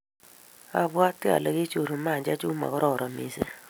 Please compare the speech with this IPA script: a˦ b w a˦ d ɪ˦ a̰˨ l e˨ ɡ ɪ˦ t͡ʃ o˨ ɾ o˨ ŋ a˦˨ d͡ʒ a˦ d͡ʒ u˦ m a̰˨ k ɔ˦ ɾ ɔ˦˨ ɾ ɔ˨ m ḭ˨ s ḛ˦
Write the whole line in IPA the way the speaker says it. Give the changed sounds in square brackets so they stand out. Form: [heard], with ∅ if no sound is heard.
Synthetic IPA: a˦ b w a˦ [t] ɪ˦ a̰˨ l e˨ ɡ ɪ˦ t͡ʃ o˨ ɾ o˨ [m] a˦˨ d͡ʒ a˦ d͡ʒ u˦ m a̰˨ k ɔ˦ ɾ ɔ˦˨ ɾ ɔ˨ m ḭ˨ s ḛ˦